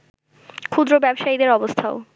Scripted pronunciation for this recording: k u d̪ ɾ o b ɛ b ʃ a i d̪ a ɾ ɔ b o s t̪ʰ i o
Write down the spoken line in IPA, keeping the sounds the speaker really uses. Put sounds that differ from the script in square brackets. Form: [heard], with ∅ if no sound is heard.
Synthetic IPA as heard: [kʰ] u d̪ ɾ o b ɛ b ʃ a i d̪ [e] ɾ ɔ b o s t̪ʰ [a] o